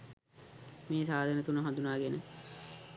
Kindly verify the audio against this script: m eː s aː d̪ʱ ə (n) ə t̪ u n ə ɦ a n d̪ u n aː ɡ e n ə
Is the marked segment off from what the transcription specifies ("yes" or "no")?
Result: no